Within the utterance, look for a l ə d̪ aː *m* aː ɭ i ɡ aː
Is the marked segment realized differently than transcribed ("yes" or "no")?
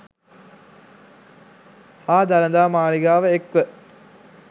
no